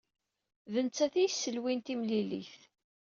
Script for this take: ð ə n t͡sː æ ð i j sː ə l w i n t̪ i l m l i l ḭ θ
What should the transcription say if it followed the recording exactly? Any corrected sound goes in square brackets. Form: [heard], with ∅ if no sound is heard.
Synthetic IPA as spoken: ð ə n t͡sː æ [θ] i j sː ə l w i n t̪ i [∅] m l i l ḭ θ